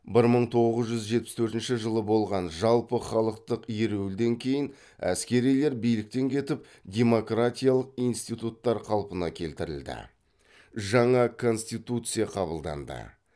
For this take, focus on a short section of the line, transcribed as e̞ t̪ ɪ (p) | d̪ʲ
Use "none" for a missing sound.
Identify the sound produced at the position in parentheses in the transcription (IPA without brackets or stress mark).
p